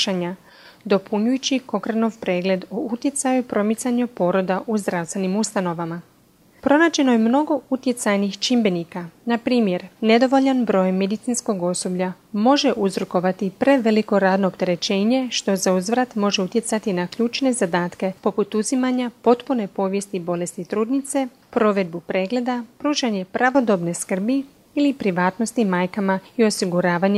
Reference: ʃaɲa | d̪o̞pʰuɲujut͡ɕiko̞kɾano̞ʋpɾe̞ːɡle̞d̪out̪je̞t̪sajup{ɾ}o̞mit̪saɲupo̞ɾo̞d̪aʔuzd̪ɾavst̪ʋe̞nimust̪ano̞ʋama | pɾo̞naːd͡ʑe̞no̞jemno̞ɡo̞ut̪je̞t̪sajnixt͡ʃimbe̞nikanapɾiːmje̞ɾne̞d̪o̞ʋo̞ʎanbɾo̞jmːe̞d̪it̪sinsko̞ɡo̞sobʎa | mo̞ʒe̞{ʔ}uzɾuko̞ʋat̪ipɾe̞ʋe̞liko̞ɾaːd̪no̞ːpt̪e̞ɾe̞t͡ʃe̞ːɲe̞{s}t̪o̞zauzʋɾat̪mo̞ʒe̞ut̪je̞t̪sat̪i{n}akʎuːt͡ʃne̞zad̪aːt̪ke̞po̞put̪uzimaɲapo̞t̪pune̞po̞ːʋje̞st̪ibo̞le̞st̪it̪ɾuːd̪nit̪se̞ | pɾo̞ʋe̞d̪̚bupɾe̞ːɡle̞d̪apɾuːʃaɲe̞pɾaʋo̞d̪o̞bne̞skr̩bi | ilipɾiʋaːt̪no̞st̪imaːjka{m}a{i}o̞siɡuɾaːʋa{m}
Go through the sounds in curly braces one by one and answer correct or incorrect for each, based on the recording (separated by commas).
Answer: correct, correct, incorrect, correct, correct, correct, incorrect